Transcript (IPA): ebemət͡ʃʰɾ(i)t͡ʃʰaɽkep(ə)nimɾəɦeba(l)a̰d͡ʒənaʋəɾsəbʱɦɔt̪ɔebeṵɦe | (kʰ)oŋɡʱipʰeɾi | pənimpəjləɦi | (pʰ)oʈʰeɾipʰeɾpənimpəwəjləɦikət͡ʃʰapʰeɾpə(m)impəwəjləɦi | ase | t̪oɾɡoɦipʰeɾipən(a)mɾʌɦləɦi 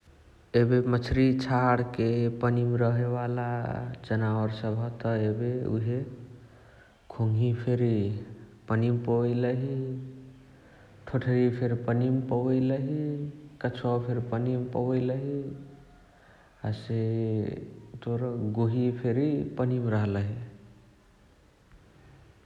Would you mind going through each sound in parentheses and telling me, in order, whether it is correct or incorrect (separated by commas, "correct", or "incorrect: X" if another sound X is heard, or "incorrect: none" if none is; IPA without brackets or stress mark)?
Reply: correct, correct, correct, correct, incorrect: ʈʰ, incorrect: n, incorrect: i